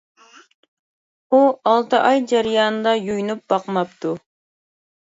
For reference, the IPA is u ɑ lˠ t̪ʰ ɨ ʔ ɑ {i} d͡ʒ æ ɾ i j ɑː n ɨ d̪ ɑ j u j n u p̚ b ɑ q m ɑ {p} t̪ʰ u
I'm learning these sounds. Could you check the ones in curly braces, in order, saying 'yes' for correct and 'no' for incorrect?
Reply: no, yes

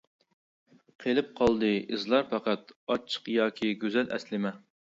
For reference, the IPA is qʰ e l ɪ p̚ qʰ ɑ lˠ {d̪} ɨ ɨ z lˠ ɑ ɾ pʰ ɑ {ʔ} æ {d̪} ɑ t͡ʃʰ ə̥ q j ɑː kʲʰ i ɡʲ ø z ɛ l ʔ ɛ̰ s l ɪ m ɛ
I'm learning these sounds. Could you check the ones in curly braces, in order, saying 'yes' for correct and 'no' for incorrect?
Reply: yes, no, no

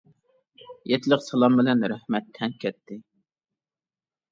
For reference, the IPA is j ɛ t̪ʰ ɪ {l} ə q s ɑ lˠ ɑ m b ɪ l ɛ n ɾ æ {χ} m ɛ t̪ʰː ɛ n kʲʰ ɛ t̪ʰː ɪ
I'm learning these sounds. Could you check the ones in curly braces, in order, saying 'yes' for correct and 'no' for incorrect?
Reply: yes, no

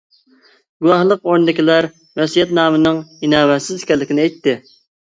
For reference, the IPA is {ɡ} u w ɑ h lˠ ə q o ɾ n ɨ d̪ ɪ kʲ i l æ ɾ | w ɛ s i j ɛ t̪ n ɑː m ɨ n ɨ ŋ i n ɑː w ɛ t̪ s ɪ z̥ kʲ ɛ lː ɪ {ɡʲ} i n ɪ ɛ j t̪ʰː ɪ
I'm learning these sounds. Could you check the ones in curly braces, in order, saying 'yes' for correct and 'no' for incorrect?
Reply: yes, no

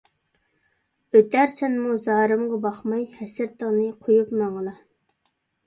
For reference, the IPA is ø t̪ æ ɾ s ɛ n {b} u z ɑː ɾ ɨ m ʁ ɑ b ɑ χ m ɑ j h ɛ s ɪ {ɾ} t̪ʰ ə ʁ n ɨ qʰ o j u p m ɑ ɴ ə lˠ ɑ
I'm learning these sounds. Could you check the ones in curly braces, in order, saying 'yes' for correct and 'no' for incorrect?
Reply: no, yes

